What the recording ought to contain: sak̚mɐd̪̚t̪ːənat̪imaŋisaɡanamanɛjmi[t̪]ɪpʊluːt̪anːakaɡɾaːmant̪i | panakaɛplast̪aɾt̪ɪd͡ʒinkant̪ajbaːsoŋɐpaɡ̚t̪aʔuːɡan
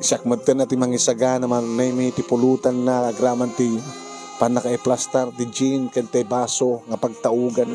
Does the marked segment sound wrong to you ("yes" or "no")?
no